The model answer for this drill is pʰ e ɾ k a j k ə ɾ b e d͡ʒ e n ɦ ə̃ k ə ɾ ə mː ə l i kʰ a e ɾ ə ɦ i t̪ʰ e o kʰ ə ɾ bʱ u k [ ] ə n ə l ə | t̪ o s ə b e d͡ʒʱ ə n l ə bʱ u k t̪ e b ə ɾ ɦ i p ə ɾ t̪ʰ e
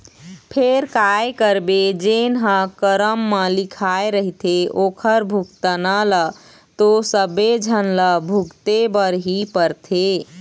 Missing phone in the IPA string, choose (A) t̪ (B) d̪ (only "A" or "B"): A